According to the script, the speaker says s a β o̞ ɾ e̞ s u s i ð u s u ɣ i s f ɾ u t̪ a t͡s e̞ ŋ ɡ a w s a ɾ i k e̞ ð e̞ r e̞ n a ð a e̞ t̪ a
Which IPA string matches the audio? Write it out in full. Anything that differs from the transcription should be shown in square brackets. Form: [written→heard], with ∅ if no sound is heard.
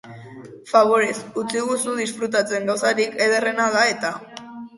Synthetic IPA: [s→f] a β o̞ ɾ e̞ s u [s→t͡s] i [ð→ɣ] u s u [ɣ→ð] i s f ɾ u t̪ a t͡s e̞ ŋ ɡ a w s a ɾ i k e̞ ð e̞ r e̞ n a ð a e̞ t̪ a

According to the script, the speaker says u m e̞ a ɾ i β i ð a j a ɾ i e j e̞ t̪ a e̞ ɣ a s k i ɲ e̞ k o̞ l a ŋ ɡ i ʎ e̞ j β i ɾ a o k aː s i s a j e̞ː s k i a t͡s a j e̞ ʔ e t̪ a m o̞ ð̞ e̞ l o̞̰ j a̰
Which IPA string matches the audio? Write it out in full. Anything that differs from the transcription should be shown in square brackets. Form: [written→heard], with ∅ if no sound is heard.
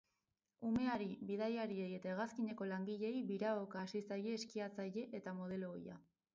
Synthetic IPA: u m e̞ a ɾ i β i ð a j a ɾ i e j e̞ t̪ a e̞ ɣ a s k i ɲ e̞ k o̞ l a ŋ ɡ i ʎ e̞ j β i ɾ a o k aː s i s a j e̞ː s k i a t͡s a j e̞ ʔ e t̪ a m o̞ ð̞ e̞ l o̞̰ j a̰

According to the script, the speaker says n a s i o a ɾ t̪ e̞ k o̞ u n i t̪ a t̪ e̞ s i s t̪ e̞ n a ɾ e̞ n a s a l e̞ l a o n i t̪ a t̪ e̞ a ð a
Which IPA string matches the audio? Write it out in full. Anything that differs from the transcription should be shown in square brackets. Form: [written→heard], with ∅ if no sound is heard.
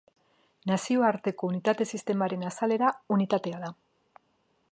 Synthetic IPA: n a s i o a ɾ t̪ e̞ k o̞ u n i t̪ a t̪ e̞ s i s t̪ e̞ [n→m] a ɾ e̞ n a s a l e̞ [l→ɾ] a [o→u] n i t̪ a t̪ e̞ a ð a

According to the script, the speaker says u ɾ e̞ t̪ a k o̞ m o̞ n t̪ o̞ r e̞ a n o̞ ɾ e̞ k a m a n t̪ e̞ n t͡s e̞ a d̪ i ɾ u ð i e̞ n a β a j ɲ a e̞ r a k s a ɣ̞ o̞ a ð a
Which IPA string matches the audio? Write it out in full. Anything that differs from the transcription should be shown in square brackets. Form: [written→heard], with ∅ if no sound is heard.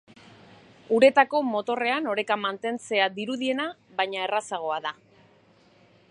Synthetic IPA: u ɾ e̞ t̪ a k o̞ m o̞ [n→∅] t̪ o̞ r e̞ a n o̞ ɾ e̞ k a m a n t̪ e̞ n t͡s e̞ a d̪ i ɾ u ð i e̞ n a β a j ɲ a e̞ r a [k→∅] s a ɣ̞ o̞ a ð a

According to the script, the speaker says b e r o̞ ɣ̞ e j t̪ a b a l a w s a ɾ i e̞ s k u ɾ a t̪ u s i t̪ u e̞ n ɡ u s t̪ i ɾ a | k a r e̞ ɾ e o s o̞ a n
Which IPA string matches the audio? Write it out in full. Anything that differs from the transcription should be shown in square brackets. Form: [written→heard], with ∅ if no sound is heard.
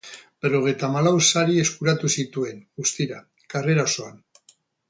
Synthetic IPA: b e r o̞ ɣ̞ e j t̪ a [b→m] a l a w s a ɾ i e̞ s k u ɾ a t̪ u s i t̪ u e̞ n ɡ u s t̪ i ɾ a | k a r e̞ ɾ [e→a] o s o̞ a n

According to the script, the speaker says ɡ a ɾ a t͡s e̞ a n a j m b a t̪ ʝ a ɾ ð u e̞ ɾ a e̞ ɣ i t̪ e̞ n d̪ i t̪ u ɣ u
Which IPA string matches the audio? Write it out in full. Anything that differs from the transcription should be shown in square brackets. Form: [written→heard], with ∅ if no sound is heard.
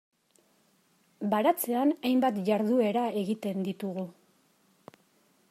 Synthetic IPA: [ɡ→b] a ɾ a t͡s e̞ a n a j m b a t̪ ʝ a ɾ ð u e̞ ɾ a e̞ ɣ i t̪ e̞ n d̪ i t̪ u ɣ u

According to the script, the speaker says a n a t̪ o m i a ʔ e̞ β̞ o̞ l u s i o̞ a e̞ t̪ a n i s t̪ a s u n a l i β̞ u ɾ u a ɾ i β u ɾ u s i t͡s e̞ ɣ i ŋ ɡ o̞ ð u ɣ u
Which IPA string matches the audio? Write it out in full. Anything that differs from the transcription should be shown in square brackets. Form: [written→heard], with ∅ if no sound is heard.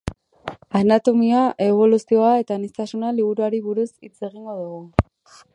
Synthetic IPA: a n a t̪ o m i a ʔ e̞ β̞ o̞ l u s i o̞ a e̞ t̪ a n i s t̪ a s u n a l i β̞ u ɾ u a ɾ i β u ɾ u s i t͡s e̞ ɣ i ŋ ɡ o̞ ð u ɣ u

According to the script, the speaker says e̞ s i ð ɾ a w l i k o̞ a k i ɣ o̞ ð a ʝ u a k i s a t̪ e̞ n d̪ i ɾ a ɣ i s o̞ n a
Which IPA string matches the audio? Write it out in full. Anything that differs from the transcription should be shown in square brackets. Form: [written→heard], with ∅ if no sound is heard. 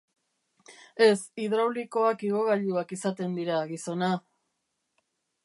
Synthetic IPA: e̞ s i ð ɾ a w l i k o̞ a k i ɣ o̞ [ð→ɣ] a [ʝ→ʎ] u a k i s a t̪ e̞ n d̪ i ɾ a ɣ i s o̞ n a

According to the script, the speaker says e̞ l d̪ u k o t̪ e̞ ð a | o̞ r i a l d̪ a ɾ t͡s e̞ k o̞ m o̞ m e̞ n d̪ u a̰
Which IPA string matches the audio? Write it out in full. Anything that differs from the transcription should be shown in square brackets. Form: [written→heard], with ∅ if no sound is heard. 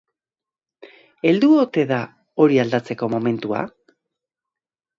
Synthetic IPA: e̞ l d̪ u [k→∅] o t̪ e̞ ð a | o̞ [r→ɾ] i a l d̪ a [ɾ→∅] t͡s e̞ k o̞ m o̞ m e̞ n [d̪→t̪] u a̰

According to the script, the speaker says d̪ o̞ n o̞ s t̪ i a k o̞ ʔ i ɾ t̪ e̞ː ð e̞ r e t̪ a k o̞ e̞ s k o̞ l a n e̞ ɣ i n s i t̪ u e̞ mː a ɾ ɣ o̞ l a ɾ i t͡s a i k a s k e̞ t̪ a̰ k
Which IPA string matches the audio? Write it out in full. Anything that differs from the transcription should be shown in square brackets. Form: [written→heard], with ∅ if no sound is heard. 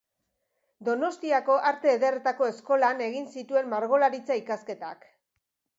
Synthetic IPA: d̪ o̞ n o̞ s t̪ i a k o̞ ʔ [i→a] ɾ t̪ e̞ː ð e̞ r e t̪ a k o̞ e̞ s k o̞ l a n e̞ ɣ i n s i t̪ u e̞ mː a ɾ ɣ o̞ l a ɾ i t͡s a i k a s k e̞ t̪ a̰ k

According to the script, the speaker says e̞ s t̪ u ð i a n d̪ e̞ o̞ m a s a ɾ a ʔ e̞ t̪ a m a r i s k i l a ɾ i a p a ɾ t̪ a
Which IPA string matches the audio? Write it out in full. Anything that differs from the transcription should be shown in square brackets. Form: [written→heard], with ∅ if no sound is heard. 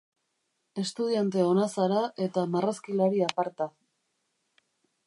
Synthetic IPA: e̞ s t̪ u ð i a n [d̪→t̪] e̞ o̞ [m→n] a s a ɾ a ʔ e̞ t̪ a m a r [i→a] s k i l a ɾ i a p a ɾ t̪ a

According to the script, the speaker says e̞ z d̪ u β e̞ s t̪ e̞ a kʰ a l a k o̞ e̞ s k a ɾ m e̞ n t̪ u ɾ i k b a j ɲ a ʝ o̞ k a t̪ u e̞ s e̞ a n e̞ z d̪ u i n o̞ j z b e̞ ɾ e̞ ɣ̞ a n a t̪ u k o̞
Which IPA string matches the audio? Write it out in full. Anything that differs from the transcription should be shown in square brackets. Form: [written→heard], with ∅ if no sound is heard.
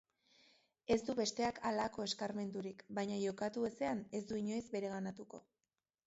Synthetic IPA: e̞ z d̪ u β e̞ s t̪ e̞ a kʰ a l a k o̞ e̞ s k a ɾ m e̞ n [t̪→d̪] u ɾ i k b a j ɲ a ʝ o̞ k a t̪ u e̞ s e̞ a n e̞ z d̪ u i [n→ɲ] o̞ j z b e̞ ɾ e̞ ɣ̞ a n a t̪ u k o̞

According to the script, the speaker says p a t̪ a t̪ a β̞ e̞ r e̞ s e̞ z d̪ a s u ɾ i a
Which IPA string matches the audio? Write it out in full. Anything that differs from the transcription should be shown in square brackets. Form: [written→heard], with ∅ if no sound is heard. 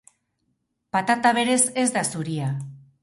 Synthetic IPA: p a t̪ a t̪ a β̞ e̞ [r→ɾ] e̞ s e̞ z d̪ a s u ɾ i a

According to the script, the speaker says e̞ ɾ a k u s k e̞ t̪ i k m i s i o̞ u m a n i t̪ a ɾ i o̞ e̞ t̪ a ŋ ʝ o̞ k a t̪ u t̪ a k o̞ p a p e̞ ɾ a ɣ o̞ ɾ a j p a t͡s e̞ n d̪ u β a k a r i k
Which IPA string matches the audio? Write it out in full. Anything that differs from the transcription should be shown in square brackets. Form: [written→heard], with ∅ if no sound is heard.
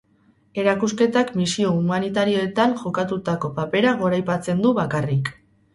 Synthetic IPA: e̞ ɾ a k u s k e̞ t̪ [i→a] k m i s i o̞ u m a n i t̪ a ɾ i o̞ e̞ t̪ a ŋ ʝ o̞ k a t̪ u t̪ a k o̞ p a p e̞ ɾ a ɣ o̞ ɾ a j p a t͡s e̞ n d̪ u β a k a r i k

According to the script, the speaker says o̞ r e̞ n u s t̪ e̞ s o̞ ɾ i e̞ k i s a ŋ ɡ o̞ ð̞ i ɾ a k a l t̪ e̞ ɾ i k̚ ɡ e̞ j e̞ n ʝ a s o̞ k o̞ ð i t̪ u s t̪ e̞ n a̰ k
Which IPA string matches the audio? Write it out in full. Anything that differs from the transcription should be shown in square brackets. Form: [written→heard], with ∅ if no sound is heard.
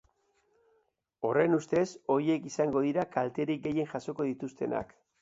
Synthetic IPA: o̞ r e̞ n u s t̪ e̞ s o̞ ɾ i e̞ k i s a ŋ ɡ o̞ ð̞ i ɾ a k a l t̪ e̞ ɾ i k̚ ɡ e̞ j e̞ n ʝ a s o̞ k o̞ ð i t̪ u s t̪ e̞ n a̰ k

